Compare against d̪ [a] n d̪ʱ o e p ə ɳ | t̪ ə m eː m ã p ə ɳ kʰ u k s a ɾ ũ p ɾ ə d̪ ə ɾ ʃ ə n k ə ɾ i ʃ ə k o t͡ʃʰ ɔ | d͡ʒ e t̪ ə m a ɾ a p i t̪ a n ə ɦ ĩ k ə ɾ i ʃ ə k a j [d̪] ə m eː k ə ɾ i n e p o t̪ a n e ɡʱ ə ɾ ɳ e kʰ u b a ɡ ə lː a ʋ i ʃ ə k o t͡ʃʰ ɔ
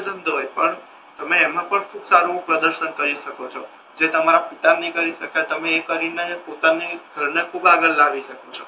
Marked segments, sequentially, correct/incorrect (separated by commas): incorrect, incorrect